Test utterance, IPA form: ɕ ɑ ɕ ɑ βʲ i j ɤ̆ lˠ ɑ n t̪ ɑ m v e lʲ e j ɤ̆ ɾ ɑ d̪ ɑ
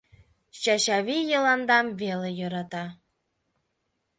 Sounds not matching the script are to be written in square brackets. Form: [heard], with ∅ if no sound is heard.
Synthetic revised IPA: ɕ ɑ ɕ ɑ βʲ i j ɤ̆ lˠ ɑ n [d̪] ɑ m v e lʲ e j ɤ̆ ɾ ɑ [t̪] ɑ

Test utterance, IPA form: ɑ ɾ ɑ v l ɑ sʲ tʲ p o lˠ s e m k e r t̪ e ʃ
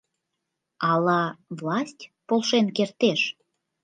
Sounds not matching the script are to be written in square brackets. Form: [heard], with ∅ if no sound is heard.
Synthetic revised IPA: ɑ [l] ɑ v l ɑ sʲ tʲ p o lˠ [ʃ] e [n] k e r t̪ e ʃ

